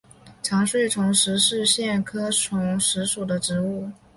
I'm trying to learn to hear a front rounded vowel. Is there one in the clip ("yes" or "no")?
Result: no